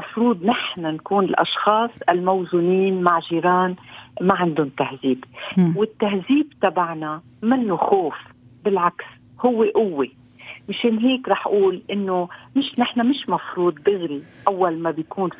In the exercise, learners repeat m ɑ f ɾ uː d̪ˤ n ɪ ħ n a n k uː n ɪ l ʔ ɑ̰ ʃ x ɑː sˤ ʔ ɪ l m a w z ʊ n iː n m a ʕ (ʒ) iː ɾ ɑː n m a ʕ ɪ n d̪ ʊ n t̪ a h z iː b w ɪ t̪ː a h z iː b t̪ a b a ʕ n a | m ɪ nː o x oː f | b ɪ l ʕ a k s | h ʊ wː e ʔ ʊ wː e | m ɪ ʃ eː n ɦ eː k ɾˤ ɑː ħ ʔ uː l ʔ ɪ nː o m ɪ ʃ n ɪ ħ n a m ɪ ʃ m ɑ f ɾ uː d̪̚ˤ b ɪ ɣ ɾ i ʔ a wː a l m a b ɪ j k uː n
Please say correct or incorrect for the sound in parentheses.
correct